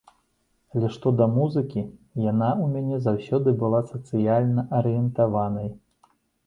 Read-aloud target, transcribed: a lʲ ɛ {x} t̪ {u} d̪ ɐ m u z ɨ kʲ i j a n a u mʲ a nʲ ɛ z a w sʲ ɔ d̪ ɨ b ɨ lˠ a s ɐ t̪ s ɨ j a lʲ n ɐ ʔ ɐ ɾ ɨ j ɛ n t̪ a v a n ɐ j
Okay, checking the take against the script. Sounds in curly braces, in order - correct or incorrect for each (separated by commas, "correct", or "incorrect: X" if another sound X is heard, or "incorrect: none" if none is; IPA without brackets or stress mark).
incorrect: ʂ, incorrect: ɔ